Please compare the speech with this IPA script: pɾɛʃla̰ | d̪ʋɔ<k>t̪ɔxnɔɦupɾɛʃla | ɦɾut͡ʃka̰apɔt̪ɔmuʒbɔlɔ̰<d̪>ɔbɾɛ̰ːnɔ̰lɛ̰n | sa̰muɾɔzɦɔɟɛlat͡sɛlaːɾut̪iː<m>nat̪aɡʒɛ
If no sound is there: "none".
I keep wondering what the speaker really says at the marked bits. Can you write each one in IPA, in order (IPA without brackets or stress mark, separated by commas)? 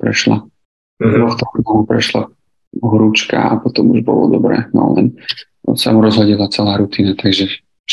x, d̪, none